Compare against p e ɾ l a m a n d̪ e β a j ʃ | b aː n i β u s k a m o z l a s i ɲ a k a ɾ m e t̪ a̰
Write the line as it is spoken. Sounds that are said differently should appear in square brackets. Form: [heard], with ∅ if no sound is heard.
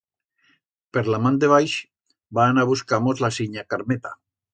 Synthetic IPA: p e ɾ l a m a n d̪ e β a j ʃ | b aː n [a] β u s k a m o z l a s i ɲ a k a ɾ m e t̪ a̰